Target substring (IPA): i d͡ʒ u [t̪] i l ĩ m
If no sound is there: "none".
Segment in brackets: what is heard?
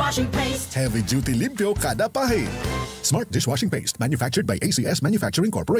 t̪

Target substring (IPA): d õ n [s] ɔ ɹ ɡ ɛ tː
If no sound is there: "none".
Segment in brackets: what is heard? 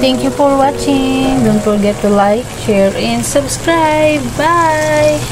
f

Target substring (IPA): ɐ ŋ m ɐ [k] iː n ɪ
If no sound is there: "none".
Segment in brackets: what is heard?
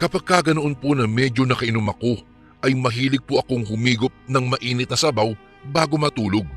ʔ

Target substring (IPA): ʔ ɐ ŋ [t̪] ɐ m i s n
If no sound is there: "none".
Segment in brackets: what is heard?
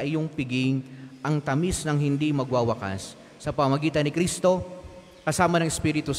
t̪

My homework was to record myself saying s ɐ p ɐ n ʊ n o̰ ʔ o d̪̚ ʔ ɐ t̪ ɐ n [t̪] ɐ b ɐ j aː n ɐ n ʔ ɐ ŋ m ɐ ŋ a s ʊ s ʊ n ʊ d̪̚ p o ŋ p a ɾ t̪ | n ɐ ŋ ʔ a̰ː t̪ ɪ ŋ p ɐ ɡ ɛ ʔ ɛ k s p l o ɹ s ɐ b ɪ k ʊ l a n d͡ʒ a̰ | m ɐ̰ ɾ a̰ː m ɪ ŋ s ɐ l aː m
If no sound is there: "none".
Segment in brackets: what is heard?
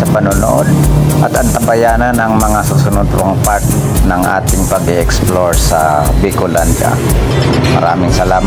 t̪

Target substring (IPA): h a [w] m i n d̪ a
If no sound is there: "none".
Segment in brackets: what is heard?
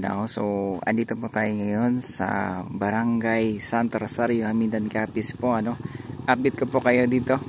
none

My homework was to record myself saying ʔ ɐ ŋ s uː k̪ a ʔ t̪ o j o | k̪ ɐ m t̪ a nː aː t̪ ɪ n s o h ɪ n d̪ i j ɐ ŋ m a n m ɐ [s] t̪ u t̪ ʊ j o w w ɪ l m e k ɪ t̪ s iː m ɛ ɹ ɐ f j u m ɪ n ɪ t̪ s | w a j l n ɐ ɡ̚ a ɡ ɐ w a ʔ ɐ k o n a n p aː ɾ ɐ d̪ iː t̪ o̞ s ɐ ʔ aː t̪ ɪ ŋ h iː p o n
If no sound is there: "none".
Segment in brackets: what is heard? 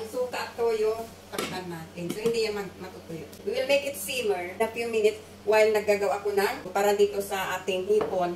none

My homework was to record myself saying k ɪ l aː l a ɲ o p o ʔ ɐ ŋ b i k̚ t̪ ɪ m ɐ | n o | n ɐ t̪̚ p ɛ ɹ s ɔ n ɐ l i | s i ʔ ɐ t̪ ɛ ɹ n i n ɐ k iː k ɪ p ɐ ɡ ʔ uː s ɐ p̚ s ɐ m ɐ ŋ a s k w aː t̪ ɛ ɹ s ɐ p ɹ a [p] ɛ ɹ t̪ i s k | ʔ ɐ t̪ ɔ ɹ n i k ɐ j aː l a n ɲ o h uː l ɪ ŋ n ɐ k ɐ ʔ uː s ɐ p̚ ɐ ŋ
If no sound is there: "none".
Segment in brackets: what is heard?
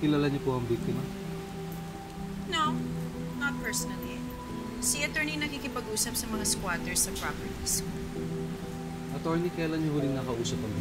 p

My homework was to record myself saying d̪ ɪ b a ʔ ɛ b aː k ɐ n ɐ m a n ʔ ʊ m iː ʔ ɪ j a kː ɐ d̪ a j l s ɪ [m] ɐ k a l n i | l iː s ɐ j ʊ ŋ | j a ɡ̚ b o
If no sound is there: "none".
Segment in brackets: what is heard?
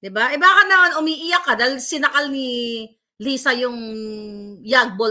n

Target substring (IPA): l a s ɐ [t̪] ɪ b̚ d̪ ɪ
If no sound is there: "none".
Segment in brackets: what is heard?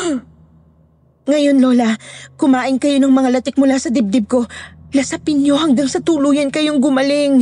d̪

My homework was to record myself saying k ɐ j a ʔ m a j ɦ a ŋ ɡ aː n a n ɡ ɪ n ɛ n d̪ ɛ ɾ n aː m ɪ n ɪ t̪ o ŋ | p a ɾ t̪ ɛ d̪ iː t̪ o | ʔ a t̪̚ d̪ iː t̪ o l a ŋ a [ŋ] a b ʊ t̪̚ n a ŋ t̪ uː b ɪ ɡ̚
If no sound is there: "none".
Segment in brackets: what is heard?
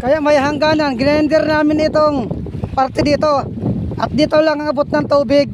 ŋ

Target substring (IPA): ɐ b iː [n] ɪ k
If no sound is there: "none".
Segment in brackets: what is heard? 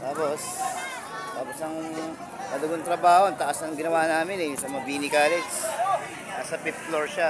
n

